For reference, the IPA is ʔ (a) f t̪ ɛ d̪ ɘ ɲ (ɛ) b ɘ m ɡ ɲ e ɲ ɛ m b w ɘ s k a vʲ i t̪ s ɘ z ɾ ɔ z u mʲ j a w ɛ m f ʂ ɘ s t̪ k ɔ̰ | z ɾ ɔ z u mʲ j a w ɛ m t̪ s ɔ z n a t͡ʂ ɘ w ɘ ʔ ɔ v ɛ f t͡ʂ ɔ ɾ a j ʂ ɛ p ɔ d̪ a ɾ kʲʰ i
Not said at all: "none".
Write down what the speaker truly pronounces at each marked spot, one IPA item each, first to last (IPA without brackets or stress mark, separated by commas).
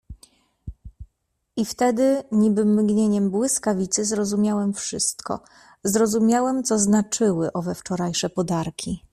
i, i